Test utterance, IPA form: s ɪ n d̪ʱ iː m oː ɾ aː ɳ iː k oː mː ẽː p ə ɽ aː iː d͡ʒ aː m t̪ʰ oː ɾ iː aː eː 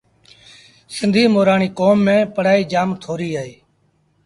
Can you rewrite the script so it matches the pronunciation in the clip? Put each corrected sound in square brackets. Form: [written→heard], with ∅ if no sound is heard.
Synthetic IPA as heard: s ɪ n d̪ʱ iː m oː ɾ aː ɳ iː k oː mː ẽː p ə ɽ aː iː d͡ʒ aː m t̪ʰ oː ɾ iː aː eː